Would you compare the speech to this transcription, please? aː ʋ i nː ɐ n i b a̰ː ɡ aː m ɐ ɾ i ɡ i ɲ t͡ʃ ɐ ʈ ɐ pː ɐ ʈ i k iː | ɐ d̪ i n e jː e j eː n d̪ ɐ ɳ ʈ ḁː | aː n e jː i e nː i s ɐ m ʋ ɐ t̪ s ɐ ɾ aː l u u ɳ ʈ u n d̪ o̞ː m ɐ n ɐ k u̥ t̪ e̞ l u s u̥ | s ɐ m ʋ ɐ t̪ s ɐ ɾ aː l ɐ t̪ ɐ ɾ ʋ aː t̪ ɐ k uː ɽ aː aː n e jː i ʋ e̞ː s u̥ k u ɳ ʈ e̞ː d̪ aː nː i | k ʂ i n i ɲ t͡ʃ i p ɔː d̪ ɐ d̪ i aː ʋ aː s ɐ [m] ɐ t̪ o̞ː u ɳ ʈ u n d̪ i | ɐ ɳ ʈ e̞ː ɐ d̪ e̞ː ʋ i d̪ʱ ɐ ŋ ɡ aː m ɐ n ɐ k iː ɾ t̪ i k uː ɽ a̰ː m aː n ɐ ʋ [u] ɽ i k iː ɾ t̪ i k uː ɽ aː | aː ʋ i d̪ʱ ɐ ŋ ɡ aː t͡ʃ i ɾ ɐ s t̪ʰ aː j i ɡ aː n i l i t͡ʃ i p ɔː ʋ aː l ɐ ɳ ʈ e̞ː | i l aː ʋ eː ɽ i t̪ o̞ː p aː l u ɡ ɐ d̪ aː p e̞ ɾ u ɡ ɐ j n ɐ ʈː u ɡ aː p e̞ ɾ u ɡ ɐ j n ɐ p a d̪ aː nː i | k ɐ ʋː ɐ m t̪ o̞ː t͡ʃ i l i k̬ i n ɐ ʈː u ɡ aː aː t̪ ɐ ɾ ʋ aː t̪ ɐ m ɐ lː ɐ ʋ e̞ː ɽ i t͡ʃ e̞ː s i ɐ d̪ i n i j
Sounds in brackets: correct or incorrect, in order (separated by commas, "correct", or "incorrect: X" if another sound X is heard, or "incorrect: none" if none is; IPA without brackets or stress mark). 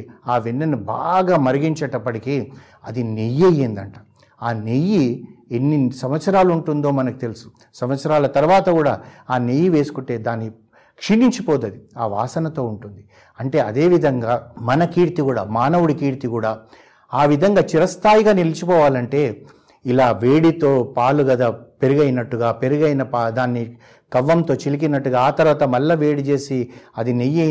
incorrect: n, correct